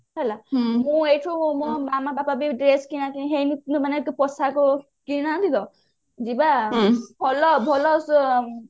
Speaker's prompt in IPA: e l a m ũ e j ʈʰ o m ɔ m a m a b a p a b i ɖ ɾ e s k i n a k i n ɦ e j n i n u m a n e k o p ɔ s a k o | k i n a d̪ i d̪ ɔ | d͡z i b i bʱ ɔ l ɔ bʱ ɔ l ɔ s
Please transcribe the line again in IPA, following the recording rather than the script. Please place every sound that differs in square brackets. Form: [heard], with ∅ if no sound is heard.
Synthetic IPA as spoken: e l a m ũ e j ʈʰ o m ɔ m a m a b a p a b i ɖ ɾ e s k i n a k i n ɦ e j n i n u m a n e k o p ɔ s a k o | k i n a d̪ i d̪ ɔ | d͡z i b [a] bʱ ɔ l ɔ bʱ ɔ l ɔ s